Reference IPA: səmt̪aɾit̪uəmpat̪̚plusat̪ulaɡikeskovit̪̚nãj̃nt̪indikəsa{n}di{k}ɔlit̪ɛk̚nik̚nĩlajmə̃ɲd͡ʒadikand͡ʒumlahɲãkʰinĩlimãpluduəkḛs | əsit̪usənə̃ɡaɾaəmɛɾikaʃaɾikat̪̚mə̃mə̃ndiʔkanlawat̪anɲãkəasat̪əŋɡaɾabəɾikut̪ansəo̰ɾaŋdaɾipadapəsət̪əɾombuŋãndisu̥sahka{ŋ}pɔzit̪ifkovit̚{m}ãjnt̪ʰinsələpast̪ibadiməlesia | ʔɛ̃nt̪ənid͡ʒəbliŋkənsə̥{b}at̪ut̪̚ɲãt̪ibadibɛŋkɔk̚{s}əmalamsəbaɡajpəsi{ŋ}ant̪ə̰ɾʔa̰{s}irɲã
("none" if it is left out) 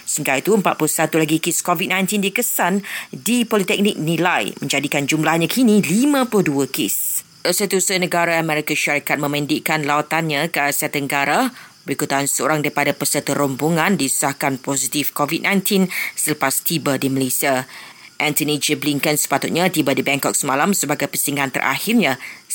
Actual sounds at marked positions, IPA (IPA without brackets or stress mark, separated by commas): n, p, n, n, p, s, ŋ, h